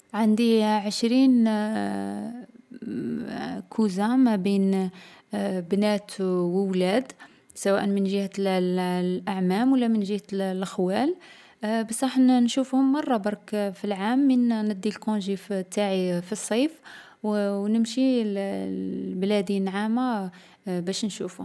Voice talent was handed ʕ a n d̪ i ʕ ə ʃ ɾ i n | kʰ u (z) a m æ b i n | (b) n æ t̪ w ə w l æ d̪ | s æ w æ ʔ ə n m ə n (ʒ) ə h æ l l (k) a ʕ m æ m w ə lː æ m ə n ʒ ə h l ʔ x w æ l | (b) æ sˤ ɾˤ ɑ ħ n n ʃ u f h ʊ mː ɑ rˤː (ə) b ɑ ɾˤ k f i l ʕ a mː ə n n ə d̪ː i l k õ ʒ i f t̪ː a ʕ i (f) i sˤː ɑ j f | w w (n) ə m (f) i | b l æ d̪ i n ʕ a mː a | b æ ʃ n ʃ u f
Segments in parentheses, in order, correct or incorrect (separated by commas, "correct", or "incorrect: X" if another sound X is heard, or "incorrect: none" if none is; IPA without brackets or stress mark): correct, correct, correct, incorrect: ʔ, correct, incorrect: ɑ, correct, correct, incorrect: ʃ